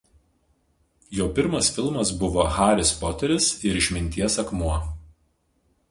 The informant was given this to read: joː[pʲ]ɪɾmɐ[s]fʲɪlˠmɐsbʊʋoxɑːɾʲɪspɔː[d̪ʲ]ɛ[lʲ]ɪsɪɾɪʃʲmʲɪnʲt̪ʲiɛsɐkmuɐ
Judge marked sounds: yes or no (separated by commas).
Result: yes, yes, no, no